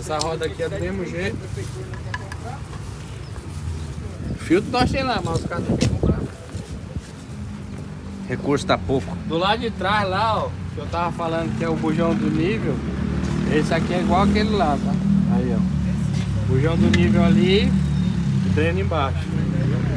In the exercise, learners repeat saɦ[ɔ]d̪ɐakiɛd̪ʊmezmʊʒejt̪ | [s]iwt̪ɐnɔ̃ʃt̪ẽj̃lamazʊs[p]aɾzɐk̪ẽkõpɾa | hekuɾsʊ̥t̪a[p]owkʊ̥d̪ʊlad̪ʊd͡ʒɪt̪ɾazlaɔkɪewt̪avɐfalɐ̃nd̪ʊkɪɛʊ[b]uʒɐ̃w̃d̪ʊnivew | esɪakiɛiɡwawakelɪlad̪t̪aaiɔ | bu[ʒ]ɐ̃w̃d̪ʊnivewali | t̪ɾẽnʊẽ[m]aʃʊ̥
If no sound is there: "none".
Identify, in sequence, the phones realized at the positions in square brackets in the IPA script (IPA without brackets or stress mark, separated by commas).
ɔ, f, k, p, b, ʒ, b